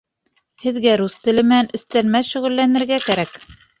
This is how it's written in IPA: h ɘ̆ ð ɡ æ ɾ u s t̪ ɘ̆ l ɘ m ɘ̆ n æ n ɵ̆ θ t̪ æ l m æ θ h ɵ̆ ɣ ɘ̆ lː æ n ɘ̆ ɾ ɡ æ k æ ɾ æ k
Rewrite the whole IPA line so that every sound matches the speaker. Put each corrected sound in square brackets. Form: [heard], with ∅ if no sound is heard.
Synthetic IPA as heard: h ɘ̆ ð ɡ æ ɾ u s t̪ ɘ̆ l ɘ m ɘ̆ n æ n ɵ̆ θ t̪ æ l m æ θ [ʃ] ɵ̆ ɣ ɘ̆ lː æ n ɘ̆ ɾ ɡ æ k æ ɾ æ k